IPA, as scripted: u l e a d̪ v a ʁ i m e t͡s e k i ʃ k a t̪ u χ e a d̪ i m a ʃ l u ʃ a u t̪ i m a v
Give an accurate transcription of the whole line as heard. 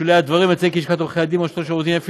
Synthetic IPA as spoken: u l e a d̪ v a ʁ i m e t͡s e k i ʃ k a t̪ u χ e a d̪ i m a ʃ l o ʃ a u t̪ i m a f